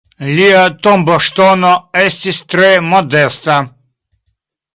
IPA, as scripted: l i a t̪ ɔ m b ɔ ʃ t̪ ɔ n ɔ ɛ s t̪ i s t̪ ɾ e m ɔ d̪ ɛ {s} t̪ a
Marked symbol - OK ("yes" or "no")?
yes